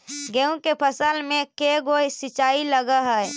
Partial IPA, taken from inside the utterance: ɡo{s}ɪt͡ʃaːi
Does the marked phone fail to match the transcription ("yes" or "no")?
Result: no